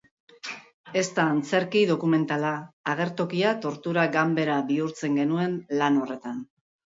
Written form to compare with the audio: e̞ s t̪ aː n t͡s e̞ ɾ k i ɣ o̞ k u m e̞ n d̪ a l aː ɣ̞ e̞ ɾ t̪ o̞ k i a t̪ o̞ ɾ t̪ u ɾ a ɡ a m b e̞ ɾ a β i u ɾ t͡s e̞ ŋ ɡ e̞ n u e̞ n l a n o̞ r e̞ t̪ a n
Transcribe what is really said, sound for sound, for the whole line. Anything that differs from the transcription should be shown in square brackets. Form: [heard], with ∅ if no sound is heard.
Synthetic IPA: e̞ s t̪ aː n t͡s e̞ ɾ k i [ð] o̞ k u m e̞ n [t̪] a l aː ɣ̞ e̞ ɾ t̪ o̞ k i a t̪ o̞ ɾ t̪ u ɾ a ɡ a m b e̞ ɾ a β i u ɾ t͡s e̞ ŋ ɡ e̞ n u e̞ n l a n o̞ r e̞ t̪ a n